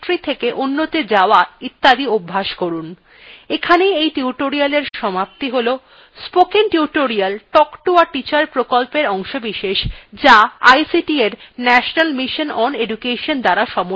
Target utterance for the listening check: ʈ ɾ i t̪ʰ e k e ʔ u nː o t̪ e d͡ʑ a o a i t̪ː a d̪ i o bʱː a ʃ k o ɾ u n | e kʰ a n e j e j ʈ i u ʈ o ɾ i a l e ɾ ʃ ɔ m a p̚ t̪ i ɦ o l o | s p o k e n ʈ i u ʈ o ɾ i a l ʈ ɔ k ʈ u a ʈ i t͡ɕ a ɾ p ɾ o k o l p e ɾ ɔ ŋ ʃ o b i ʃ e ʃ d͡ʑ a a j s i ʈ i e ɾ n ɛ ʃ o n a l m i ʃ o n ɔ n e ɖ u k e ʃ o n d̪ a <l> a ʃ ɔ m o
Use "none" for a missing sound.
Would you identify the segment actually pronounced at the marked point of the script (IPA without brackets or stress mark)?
ɾ